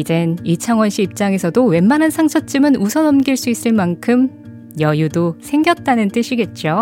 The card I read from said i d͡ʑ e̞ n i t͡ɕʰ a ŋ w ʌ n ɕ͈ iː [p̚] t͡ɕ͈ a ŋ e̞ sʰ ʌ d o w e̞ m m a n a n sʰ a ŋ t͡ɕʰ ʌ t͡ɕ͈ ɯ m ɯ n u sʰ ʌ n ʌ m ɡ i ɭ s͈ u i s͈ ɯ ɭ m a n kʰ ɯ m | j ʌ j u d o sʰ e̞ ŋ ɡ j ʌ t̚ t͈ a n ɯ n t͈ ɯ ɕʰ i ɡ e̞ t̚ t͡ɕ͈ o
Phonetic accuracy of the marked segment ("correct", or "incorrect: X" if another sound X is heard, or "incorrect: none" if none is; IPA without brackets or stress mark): correct